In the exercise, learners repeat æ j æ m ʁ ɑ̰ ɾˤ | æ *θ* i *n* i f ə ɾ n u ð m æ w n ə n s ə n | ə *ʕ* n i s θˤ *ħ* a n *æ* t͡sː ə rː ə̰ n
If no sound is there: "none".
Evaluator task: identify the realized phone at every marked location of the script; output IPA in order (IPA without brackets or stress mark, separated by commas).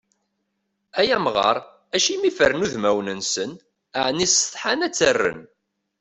ʃ, m, ʕ, ħ, æ